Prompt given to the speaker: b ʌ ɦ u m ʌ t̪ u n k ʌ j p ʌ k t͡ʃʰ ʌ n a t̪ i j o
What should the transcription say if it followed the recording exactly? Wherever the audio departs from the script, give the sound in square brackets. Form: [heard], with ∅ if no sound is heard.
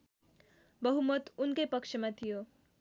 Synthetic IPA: b ʌ ɦ u m ʌ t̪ u n k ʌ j p ʌ k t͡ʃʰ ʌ [m] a [t̪ʰ] i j o